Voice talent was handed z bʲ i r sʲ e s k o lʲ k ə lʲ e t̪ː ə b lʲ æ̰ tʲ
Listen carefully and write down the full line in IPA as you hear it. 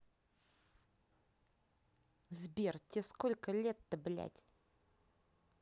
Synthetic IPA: z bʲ e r tʲ e s k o lʲ k ə lʲ e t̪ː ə b lʲ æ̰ tʲ